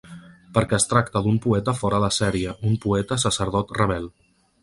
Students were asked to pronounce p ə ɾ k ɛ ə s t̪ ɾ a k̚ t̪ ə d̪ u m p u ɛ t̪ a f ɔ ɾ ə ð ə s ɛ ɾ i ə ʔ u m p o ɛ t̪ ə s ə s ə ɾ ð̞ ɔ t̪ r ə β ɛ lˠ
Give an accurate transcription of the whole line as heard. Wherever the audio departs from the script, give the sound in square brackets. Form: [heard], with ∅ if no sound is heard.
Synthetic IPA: p ə ɾ k ɛ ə s t̪ ɾ a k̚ t̪ ə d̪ u m p u ɛ t̪ [ə] f ɔ ɾ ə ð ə s ɛ ɾ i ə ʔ u m p [u] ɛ t̪ ə s ə s ə ɾ ð̞ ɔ t̪ r ə β ɛ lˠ